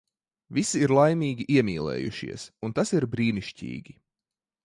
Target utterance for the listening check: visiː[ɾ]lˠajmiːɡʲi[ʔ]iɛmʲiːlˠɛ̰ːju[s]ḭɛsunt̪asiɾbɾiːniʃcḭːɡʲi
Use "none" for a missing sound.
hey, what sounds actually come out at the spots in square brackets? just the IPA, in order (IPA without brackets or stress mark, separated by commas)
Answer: ɾ, ʔ, ʃ